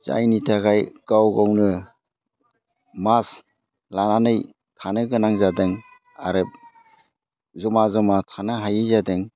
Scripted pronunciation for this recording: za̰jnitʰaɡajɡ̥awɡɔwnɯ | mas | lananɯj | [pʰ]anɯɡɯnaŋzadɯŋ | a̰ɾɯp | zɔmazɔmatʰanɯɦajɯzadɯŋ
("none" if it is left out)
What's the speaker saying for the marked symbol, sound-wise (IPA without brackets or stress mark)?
tʰ